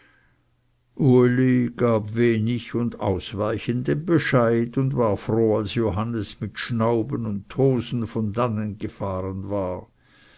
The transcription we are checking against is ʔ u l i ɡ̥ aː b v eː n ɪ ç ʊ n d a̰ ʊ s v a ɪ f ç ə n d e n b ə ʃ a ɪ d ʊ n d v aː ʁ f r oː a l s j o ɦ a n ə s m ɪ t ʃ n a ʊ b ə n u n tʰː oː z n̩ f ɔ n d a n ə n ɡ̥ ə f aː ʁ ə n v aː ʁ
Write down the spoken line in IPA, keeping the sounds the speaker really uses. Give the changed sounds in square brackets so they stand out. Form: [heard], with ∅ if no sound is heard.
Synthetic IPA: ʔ u l i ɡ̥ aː b v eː n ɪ ç ʊ n d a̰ ʊ s v a ɪ [∅] ç ə n d e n b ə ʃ a ɪ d ʊ n d v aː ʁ f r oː a l s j o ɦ a n ə s m ɪ t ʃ n a ʊ b ə n [ʊ] n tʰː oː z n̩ f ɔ n d a n ə n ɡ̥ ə f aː ʁ ə n v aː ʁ